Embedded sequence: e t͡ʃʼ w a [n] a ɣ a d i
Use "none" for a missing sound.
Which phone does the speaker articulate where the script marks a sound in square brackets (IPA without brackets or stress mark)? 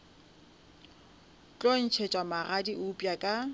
m